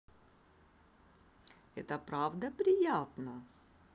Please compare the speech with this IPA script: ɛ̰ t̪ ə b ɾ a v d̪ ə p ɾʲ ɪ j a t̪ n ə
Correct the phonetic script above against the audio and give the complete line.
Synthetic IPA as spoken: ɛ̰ t̪ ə p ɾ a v d̪ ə p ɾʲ ɪ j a t̪ n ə